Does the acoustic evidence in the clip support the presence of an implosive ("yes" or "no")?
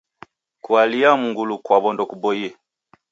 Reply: no